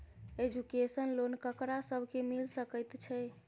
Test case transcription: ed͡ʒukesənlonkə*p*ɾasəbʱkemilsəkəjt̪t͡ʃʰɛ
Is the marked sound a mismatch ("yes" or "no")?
yes